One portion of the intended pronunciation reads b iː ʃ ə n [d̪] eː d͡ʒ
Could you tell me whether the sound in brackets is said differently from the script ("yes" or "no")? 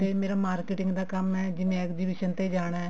yes